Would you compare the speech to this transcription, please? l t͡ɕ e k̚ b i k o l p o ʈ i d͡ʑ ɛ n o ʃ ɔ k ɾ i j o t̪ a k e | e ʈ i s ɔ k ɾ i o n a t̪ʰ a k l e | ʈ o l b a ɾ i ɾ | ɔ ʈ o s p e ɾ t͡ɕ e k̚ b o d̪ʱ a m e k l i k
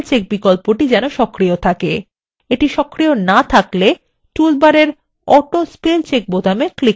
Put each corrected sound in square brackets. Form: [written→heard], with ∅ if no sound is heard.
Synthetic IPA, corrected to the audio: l t͡ɕ e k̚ b i k o l p o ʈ i d͡ʑ ɛ n o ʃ ɔ k ɾ i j o [t̪→t̪ʰ] a k e | e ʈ i [s→ʃ] ɔ k ɾ i o n a t̪ʰ a k l e | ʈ [o→u] l b a ɾ [i→e] ɾ | ɔ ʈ o s p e [ɾ→l] t͡ɕ e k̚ b o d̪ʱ a m e k l i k